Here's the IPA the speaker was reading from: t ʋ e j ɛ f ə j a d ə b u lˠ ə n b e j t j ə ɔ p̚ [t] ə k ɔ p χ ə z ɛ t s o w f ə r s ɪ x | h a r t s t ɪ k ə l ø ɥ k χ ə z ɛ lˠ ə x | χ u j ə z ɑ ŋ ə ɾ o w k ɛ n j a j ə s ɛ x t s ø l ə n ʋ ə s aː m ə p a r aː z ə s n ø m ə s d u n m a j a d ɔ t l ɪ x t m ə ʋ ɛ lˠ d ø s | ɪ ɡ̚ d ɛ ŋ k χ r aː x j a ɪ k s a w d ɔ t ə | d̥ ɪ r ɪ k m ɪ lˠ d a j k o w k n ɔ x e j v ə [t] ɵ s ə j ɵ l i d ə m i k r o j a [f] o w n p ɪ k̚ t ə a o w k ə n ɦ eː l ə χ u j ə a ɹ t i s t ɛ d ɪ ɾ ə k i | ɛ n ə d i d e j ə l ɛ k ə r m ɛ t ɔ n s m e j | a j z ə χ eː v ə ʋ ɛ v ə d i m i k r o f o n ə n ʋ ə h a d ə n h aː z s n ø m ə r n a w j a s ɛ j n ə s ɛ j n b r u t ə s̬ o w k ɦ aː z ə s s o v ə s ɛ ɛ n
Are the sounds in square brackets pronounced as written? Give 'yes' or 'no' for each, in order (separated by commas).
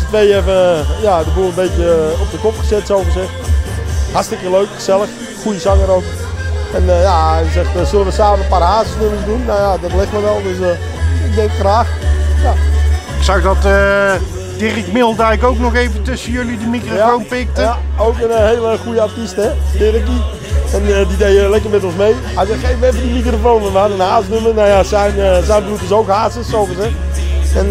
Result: no, yes, yes